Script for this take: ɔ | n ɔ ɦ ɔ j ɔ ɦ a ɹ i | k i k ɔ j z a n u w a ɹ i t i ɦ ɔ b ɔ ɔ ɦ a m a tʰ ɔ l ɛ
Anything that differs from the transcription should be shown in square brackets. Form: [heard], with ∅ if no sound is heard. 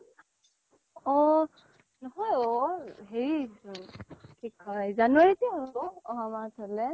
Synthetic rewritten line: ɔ | n ɔ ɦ ɔ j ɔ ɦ [e] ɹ i | k i k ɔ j z a n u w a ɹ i t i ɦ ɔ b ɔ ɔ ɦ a m a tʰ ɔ l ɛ